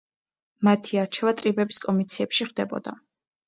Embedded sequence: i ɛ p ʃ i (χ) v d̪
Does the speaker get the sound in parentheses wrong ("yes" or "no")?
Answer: no